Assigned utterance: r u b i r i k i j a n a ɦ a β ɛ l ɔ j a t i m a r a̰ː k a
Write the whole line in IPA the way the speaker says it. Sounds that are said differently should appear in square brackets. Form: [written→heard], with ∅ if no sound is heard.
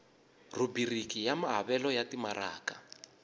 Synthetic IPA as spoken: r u b i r i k i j a [n→m] a ɦ a β ɛ l ɔ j a t i m a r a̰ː k a